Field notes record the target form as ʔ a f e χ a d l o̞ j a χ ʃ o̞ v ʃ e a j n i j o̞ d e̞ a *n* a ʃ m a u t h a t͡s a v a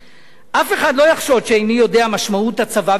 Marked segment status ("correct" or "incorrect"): incorrect